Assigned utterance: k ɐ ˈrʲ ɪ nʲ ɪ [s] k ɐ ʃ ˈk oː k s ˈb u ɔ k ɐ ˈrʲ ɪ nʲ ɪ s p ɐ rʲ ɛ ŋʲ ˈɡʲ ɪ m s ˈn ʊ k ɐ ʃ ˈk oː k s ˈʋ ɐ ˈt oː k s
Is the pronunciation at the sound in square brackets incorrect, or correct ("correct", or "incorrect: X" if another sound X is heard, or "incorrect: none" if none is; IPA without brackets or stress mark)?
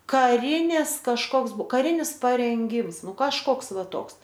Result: correct